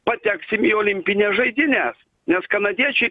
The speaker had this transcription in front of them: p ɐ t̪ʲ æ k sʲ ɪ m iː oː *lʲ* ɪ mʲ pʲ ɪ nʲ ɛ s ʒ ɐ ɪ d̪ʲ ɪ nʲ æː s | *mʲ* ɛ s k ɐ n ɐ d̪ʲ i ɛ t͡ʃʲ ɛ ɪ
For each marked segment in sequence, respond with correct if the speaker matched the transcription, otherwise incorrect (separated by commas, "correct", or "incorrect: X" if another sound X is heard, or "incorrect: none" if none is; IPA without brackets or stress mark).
correct, incorrect: nʲ